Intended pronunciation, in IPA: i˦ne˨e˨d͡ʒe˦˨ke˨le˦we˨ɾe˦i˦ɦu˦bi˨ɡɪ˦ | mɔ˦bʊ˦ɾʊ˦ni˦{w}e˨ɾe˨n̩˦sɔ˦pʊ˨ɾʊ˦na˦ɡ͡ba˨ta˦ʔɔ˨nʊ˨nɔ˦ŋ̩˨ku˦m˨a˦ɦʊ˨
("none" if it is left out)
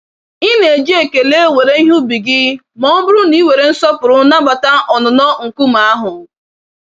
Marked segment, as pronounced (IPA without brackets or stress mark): w